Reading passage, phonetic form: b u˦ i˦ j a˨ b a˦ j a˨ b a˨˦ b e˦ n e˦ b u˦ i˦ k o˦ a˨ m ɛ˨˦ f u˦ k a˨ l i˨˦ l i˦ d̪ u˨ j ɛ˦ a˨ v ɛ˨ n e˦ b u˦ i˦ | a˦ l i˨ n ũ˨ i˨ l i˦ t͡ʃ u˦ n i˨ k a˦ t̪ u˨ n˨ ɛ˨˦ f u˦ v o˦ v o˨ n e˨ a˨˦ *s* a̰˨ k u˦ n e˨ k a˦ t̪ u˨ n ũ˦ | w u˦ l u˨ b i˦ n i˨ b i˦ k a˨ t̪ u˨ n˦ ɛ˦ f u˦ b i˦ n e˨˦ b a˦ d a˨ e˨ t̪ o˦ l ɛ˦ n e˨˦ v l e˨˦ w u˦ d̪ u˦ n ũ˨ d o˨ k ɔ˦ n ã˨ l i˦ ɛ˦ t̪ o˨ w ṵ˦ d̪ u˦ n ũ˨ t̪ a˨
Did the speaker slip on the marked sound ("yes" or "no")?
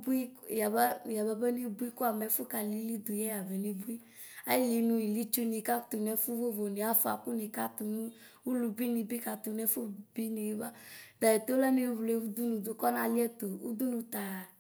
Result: yes